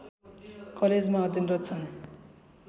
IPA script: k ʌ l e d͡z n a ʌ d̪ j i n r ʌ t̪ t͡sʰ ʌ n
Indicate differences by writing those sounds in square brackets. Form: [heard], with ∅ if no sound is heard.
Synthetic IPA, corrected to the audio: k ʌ l e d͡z [m] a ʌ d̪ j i n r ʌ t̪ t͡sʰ ʌ n

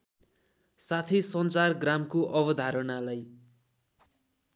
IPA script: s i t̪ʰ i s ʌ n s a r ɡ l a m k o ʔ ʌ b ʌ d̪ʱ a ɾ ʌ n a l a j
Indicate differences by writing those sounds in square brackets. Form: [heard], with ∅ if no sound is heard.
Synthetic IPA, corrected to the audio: s [a] t̪ʰ i s ʌ n [t͡s] a r ɡ [r] a m k o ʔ ʌ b ʌ d̪ʱ a ɾ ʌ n a l a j

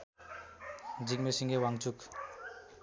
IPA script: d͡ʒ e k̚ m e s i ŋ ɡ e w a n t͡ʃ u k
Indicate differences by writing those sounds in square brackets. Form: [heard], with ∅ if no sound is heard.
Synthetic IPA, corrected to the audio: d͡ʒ [i] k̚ m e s i ŋ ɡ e w a [ŋ] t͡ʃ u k

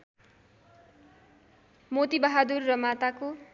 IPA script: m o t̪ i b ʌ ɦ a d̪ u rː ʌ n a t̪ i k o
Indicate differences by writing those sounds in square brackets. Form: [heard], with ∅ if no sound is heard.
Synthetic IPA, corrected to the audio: m o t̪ i b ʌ ɦ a d̪ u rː ʌ [m] a t̪ [a] k o

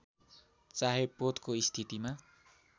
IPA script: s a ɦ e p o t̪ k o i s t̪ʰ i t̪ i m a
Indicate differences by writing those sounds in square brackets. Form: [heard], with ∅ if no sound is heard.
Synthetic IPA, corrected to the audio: [t͡s] a ɦ e p o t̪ k o i s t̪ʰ i t̪ i m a

